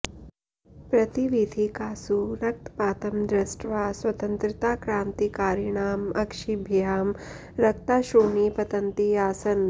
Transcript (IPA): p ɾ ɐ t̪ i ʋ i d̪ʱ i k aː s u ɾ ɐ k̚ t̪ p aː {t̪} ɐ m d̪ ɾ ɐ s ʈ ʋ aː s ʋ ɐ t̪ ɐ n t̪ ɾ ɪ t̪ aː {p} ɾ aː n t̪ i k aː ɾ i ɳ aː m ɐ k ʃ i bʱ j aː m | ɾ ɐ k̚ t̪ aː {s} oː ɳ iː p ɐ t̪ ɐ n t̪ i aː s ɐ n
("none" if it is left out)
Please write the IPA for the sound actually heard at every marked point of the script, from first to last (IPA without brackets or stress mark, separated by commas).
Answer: t̪, k, ʃ